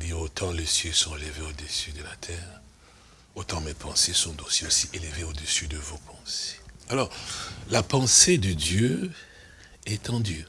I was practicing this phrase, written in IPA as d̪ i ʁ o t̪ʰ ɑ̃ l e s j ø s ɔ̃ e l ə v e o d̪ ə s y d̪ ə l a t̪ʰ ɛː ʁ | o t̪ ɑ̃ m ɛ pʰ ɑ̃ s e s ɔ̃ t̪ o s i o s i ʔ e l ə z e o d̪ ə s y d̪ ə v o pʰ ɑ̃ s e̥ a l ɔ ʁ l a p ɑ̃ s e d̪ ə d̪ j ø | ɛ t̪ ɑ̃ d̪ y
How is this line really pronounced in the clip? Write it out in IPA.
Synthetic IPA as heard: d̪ i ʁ o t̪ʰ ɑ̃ l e s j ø s ɔ̃ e l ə v e o d̪ ə s y d̪ ə l a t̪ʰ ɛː ʁ | o t̪ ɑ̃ m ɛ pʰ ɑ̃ s e s ɔ̃ t̪ o s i o s i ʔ e l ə v e o d̪ ə s y d̪ ə v o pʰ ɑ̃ s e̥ a l ɔ ʁ l a p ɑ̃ s e d̪ ə d̪ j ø | ɛ t̪ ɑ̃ d̪ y